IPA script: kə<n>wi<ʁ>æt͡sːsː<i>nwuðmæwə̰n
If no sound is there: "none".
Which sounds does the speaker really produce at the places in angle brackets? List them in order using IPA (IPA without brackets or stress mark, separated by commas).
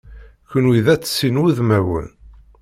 n, ð, i